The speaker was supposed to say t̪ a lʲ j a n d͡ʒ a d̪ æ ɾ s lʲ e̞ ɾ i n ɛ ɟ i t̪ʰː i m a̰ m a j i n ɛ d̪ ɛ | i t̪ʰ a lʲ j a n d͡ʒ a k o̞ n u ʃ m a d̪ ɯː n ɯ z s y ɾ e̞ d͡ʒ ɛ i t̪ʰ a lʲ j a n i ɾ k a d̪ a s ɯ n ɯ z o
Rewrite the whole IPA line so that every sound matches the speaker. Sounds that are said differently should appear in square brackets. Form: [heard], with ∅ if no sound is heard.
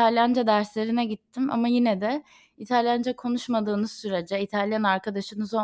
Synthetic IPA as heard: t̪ a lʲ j a n d͡ʒ a d̪ æ ɾ s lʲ e̞ ɾ i n ɛ ɟ i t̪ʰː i m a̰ m a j i n ɛ d̪ ɛ | i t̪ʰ a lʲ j a n d͡ʒ a [kʰ] o̞ n u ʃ m a d̪ ɯː n ɯ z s y ɾ e̞ d͡ʒ ɛ i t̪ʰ a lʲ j a n [a] ɾ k a d̪ a [ʃ] ɯ n ɯ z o